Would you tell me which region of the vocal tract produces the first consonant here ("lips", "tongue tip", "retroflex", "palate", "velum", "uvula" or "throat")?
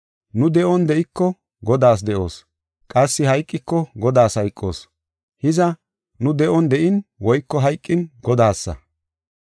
tongue tip